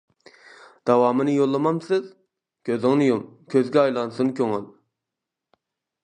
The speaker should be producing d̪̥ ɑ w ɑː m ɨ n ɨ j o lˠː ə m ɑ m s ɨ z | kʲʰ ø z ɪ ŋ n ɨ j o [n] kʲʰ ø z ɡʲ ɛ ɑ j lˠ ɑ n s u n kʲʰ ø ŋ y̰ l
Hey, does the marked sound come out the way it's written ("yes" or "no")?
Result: no